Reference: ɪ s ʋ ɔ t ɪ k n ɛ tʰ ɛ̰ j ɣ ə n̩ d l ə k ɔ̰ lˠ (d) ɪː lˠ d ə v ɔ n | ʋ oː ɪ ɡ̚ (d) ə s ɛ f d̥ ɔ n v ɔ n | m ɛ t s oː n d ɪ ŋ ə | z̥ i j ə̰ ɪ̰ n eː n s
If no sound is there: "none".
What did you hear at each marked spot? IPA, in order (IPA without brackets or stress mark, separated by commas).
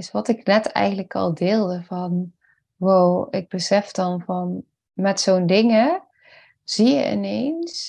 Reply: d, b